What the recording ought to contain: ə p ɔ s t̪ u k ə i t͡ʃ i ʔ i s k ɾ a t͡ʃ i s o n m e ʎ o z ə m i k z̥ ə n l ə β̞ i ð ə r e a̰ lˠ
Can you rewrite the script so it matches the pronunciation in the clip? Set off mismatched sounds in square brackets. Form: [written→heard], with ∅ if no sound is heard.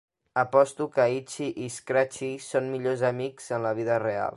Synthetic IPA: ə p ɔ s t̪ u k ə i t͡ʃ i ʔ i s k ɾ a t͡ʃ i s o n m [e→i] ʎ o z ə m i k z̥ ə n l ə β̞ i ð ə r e a̰ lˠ

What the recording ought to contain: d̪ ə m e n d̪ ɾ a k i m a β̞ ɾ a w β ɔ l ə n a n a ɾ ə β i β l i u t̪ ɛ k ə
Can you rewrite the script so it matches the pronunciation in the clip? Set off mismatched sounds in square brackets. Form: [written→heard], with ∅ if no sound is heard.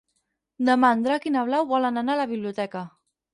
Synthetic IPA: d̪ ə m [e→a] n d̪ ɾ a k i [m→n] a β̞ [ɾ→l] a w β ɔ l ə n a n a [ɾ→l] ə β i β l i u t̪ ɛ k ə

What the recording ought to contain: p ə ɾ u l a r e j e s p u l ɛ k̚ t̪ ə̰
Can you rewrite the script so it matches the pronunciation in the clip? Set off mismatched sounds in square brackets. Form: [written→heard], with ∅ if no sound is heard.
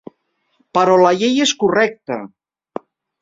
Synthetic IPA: p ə ɾ [u→ɔ] l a [r→ʎ] e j e s [p→k] u [l→r] ɛ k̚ t̪ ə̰

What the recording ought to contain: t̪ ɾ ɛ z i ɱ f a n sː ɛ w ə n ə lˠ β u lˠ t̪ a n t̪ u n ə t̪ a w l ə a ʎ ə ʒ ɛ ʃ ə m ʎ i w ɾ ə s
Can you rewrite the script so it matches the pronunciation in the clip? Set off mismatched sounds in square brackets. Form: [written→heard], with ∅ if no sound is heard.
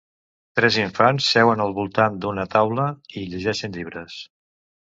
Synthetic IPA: t̪ ɾ ɛ z i ɱ f a n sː ɛ w ə n ə lˠ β u lˠ t̪ a n [t̪→d̪] u n ə t̪ a w l ə [a→i] ʎ ə ʒ ɛ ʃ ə [m→n] ʎ i [w→β] ɾ ə s

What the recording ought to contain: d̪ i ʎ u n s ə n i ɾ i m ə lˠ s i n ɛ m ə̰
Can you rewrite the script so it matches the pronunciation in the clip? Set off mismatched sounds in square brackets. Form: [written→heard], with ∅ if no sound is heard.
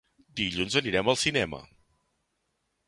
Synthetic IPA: d̪ i ʎ u n [s→z] ə n i ɾ [i→ɛ] m ə lˠ s i n ɛ m ə̰

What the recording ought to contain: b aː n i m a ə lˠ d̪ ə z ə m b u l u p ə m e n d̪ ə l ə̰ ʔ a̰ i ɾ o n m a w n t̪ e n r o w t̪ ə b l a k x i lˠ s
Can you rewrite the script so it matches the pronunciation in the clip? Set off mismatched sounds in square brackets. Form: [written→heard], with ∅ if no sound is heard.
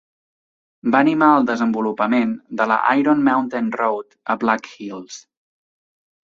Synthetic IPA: b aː n i m a ə lˠ d̪ ə z ə m b u l u p ə m e n d̪ ə l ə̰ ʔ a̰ [i→j] ɾ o n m a w n t̪ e n r o w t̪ ə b l a k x i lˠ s

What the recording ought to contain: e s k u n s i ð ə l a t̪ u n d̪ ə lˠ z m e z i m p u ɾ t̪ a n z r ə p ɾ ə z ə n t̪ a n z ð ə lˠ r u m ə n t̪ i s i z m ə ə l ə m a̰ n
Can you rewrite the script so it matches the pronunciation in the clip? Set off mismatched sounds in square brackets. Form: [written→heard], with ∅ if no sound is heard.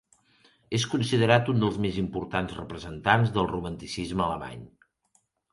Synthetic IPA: e s k u n s i ð ə [l→ɾ] a t̪ u n d̪ ə lˠ z m e z i m p u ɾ t̪ a n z r ə p ɾ ə z ə n t̪ a n z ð ə lˠ r u m ə n t̪ i s i z m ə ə l ə m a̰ [n→ɲ]

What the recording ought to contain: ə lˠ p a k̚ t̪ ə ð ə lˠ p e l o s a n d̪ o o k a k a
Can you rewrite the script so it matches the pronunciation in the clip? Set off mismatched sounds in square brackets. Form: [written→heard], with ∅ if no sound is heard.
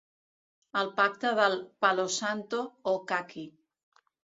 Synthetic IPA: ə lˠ p a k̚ t̪ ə ð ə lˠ p [e→a] l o s a n [d̪→t̪] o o k a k [a→i]

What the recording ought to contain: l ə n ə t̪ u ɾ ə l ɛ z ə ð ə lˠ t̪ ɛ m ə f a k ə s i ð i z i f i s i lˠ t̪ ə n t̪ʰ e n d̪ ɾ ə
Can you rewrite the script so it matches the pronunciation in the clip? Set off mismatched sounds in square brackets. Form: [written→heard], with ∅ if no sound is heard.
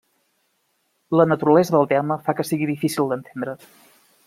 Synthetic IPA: l ə n ə t̪ u ɾ ə l ɛ z ə ð ə lˠ t̪ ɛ m ə f a k ə s i [ð→ɣ] i [z→ð] i f i s i lˠ [t̪→d̪] ə n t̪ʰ e n d̪ ɾ ə

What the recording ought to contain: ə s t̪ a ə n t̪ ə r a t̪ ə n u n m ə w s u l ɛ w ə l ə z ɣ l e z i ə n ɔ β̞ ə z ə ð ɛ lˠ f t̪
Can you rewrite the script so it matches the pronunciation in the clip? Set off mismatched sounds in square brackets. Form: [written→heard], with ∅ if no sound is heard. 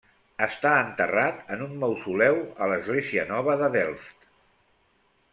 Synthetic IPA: ə s t̪ a ə n t̪ ə r a t̪ ə n u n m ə w s u l ɛ w ə l ə z ɣ l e z i ə n ɔ β̞ ə [z→ð] ə ð ɛ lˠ f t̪

